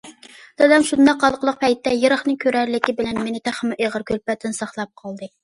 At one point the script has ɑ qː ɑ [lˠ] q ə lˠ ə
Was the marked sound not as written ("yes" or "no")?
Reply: no